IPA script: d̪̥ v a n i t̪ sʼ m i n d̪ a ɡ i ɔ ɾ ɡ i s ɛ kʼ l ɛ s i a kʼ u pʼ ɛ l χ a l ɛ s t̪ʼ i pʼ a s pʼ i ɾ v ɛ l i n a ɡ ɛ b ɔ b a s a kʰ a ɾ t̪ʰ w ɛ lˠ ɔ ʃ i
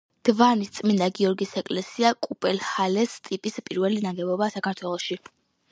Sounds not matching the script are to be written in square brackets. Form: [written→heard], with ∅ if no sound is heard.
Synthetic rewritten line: d̪̥ v a n i t̪ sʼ m i n d̪ a ɡ i ɔ ɾ ɡ i s ɛ kʼ l ɛ s i a kʼ u pʼ ɛ l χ a l ɛ s t̪ʼ i pʼ [a→i] s pʼ i ɾ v ɛ l i n a ɡ ɛ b ɔ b a s a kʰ a ɾ t̪ʰ w ɛ lˠ ɔ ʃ i